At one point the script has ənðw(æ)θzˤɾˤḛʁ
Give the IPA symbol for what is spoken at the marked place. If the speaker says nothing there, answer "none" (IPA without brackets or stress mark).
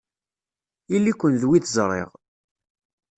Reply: i